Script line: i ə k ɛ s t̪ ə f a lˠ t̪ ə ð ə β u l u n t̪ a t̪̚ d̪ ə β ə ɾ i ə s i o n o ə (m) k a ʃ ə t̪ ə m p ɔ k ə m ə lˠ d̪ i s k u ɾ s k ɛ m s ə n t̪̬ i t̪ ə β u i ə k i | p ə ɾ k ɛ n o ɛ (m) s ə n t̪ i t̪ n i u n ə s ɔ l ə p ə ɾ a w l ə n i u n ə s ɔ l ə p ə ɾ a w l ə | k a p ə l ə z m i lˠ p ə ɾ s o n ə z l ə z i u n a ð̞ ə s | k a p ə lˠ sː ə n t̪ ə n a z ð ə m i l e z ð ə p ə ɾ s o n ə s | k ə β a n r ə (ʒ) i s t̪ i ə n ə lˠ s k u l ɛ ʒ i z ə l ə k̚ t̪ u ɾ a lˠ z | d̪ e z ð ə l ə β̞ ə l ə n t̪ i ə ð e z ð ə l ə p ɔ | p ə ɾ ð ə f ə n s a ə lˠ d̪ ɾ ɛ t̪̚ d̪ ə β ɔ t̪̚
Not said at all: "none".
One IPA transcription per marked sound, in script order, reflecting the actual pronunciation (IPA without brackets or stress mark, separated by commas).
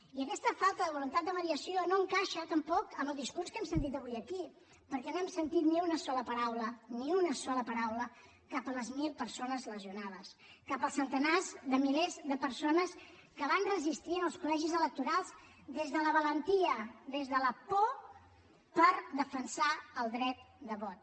ŋ, m, z